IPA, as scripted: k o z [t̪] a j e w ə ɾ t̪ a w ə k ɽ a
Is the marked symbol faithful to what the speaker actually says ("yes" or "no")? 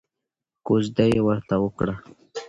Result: no